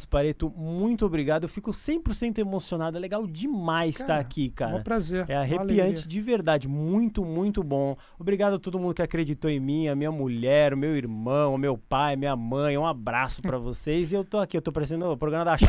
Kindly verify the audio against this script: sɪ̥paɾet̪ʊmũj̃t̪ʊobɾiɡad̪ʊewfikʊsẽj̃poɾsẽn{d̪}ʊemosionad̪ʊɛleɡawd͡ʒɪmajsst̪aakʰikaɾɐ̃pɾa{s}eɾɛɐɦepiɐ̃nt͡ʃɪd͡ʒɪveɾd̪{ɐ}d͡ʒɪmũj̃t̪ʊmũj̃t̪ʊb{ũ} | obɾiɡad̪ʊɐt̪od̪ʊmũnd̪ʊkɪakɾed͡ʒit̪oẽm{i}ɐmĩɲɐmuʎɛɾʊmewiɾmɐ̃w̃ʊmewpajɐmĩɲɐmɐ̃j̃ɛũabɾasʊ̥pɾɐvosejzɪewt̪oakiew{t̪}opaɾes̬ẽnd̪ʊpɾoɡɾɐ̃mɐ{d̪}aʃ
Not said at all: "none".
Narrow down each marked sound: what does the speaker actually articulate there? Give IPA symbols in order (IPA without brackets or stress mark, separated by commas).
t̪, z, a, õ, ĩ, t̪, d̪